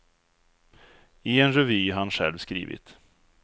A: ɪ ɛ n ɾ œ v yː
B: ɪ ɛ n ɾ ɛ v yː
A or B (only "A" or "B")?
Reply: B